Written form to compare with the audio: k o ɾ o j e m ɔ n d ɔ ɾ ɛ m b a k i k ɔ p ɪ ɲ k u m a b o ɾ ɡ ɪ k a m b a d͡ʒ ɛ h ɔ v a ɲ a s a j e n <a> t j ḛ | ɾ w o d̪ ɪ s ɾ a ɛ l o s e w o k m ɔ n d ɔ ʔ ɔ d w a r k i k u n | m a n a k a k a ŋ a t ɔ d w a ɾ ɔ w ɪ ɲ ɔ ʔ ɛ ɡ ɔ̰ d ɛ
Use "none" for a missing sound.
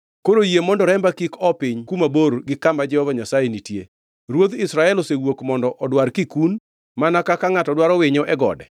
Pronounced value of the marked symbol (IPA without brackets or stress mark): i